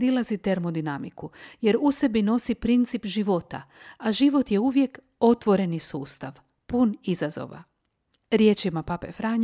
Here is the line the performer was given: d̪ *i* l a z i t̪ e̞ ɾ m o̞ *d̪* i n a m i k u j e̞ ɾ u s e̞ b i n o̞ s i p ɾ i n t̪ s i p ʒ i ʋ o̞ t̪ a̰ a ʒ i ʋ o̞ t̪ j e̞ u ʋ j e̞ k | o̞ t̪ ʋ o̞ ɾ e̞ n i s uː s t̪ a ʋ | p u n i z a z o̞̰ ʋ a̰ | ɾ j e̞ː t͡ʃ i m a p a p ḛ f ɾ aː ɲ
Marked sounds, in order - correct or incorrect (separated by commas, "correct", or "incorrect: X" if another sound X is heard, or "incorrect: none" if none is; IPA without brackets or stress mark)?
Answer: correct, correct